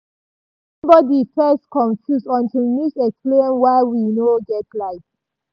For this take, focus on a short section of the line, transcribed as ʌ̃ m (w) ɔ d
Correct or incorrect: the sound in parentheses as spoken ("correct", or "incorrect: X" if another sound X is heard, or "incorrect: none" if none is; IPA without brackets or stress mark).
incorrect: b